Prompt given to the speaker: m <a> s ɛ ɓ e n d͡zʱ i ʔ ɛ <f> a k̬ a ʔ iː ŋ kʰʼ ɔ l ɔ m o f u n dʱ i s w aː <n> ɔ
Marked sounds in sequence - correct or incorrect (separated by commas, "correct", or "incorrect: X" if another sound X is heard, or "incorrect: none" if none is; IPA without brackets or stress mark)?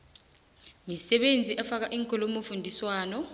incorrect: i, correct, correct